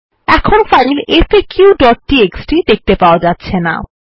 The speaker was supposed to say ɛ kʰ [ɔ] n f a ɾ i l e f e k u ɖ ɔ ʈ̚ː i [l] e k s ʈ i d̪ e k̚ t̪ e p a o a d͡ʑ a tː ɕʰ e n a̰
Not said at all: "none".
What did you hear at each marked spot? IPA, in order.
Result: o, none

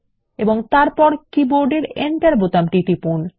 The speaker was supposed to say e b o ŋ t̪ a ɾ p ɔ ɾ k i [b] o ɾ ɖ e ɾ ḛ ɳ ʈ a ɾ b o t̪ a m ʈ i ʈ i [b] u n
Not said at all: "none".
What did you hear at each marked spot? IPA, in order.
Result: b, p

